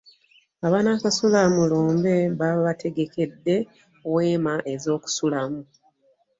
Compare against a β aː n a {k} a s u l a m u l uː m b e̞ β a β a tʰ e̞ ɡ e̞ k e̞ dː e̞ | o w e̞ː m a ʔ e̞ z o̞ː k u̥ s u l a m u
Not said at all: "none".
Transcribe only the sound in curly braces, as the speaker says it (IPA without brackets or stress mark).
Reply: k